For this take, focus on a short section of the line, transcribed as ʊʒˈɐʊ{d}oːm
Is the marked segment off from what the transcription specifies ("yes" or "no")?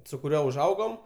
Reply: yes